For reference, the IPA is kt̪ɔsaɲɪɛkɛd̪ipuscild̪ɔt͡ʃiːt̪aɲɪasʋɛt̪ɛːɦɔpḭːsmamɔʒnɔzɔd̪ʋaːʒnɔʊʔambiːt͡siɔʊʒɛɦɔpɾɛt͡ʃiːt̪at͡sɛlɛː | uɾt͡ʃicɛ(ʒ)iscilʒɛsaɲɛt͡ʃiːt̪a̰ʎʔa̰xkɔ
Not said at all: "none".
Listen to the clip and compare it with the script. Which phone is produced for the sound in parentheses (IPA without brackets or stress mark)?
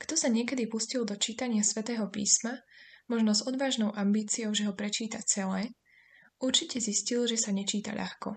z